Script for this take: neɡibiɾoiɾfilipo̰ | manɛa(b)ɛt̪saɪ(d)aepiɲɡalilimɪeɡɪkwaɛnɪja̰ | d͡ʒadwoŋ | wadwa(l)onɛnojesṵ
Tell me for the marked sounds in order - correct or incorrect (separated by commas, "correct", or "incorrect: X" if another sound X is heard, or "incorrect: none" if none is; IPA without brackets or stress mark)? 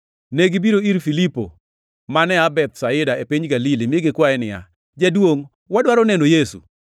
correct, correct, incorrect: ɾ